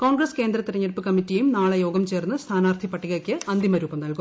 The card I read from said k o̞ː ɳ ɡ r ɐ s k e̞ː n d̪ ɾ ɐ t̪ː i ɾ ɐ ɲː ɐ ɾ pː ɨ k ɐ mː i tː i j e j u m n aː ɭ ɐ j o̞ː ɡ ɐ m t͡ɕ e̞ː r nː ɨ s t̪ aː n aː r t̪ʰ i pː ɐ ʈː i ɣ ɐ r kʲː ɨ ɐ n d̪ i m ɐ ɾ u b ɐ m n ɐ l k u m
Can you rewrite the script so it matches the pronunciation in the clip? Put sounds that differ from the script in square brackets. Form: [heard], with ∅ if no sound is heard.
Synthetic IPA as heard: k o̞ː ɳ ɡ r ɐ s k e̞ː n d̪ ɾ ɐ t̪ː i ɾ ɐ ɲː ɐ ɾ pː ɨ k ɐ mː i tː i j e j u m n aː ɭ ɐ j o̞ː ɡ ɐ m t͡ɕ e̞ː r nː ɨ s [t̪ʰ] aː n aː r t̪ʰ i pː ɐ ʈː i ɣ ɐ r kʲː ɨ ɐ n d̪ i m ɐ ɾ [uː] b ɐ m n ɐ l k u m